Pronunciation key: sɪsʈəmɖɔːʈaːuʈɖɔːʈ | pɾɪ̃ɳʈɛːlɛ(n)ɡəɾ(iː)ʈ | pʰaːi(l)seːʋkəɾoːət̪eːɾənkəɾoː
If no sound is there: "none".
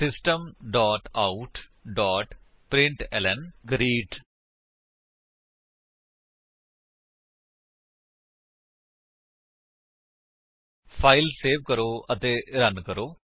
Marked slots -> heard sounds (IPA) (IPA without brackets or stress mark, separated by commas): n, iː, l